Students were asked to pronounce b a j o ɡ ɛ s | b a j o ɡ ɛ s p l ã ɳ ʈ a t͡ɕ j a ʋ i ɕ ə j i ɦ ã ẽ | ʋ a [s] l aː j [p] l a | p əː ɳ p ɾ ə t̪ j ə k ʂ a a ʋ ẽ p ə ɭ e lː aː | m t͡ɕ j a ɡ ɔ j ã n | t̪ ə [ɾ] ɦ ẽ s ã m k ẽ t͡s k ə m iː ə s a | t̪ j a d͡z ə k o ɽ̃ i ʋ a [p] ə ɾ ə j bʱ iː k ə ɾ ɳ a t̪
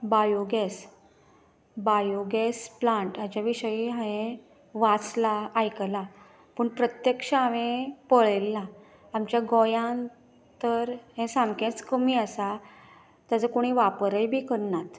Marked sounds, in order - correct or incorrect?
incorrect: t͡s, incorrect: k, correct, correct

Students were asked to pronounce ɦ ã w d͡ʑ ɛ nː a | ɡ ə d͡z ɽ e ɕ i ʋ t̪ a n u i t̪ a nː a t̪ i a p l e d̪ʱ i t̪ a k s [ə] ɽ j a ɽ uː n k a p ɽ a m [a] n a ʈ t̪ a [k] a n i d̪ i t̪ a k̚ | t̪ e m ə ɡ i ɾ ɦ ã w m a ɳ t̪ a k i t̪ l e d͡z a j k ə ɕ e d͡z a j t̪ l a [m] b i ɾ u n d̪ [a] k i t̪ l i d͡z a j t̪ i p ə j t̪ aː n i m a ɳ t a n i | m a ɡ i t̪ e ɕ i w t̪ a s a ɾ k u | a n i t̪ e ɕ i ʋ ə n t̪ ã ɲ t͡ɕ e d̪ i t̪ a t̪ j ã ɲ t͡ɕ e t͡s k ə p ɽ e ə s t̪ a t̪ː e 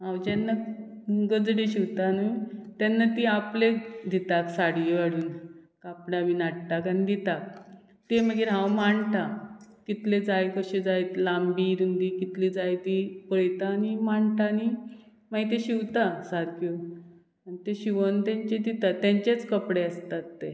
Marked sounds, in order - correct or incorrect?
incorrect: a, incorrect: i, correct, correct, incorrect: i

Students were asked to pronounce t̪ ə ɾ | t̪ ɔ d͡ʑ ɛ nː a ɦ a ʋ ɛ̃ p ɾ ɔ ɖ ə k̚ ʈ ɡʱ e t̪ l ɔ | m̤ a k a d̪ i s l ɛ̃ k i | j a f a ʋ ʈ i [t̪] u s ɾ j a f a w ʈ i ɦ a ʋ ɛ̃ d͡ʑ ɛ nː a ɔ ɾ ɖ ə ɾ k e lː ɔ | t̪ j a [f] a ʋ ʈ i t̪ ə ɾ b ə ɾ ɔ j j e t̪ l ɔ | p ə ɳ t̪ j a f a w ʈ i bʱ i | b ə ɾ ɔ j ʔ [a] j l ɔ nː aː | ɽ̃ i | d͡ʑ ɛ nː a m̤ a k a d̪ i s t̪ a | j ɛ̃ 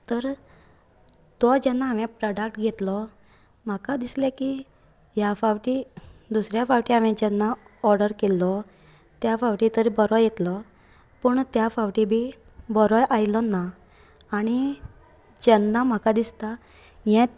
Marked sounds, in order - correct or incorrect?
incorrect: d̪, correct, correct

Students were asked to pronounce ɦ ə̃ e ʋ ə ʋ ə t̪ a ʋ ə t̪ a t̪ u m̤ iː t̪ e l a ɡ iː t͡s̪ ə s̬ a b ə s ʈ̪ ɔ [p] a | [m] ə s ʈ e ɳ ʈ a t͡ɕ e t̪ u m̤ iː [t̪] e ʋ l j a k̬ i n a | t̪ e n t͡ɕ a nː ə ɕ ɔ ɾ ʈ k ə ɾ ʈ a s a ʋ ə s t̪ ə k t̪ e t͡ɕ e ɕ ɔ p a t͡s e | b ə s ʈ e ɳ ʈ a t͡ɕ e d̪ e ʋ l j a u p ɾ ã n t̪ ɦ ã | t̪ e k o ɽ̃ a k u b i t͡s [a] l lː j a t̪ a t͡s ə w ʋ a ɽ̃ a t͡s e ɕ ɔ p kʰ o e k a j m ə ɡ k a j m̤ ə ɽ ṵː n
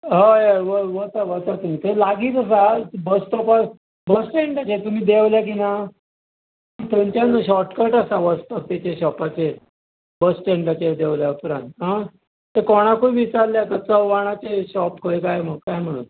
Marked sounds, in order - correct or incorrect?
correct, incorrect: b, incorrect: d̪, correct

